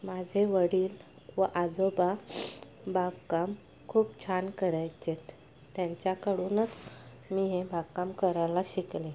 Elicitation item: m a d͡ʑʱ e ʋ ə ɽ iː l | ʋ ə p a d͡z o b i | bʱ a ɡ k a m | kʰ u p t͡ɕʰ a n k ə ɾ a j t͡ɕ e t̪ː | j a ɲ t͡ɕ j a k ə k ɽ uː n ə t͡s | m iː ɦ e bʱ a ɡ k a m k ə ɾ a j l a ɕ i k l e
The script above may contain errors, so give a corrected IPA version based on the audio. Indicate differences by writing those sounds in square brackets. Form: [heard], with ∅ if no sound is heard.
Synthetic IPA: m a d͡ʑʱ e ʋ ə ɽ iː l | ʋ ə [ʔ] a d͡z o b [a] | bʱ a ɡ k a m | kʰ [uː] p t͡ɕʰ a n k ə ɾ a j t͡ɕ e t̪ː | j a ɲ t͡ɕ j a k ə [∅] ɽ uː n ə t͡s | m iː ɦ e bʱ a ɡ k a m k ə ɾ a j l a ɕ i k l e